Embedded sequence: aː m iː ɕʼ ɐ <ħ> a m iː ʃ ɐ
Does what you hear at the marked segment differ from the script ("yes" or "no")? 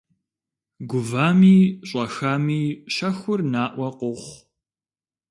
yes